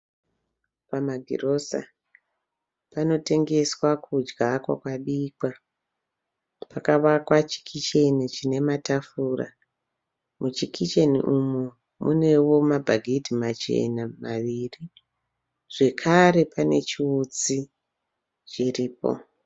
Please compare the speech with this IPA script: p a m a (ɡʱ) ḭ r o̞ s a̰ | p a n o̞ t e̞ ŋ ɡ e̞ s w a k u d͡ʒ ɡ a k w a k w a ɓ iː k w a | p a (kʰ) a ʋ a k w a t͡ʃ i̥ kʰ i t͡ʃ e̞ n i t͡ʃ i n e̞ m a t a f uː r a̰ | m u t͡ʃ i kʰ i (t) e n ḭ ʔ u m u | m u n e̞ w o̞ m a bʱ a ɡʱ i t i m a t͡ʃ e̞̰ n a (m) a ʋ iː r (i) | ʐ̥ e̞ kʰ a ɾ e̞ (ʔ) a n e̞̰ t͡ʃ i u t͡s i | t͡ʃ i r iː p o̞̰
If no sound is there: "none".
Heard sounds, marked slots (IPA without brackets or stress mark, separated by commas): ɡʱ, k, t͡ʃ, m, i, p